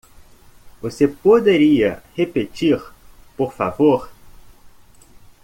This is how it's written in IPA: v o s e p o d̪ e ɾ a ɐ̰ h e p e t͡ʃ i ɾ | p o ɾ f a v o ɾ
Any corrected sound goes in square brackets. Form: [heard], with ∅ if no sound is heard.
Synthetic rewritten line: v o s e p o d̪ e ɾ [i] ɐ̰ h e p e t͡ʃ i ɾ | p o ɾ f a v o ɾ